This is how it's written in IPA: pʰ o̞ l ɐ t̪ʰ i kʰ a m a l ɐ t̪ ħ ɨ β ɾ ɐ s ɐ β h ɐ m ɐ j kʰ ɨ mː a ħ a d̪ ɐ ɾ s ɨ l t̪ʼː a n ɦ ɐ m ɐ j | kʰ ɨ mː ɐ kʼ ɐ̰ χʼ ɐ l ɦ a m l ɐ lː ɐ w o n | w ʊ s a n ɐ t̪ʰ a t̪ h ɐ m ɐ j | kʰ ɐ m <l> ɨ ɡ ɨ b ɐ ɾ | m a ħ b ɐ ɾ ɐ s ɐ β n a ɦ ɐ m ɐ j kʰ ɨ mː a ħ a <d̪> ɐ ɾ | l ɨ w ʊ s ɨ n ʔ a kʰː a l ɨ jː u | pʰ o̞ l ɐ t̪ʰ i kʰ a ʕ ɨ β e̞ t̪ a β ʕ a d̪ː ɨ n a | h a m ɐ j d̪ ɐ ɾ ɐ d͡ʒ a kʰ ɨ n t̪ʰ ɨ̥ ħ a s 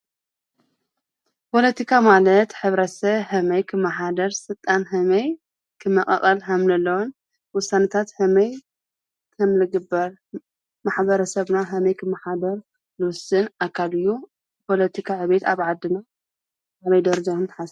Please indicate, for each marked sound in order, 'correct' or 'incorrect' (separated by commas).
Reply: correct, correct